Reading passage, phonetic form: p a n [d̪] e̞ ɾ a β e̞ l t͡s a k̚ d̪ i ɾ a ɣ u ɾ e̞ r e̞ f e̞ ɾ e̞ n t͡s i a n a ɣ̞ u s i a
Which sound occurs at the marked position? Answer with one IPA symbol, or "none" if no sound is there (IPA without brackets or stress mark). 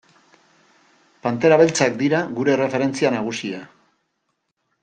t̪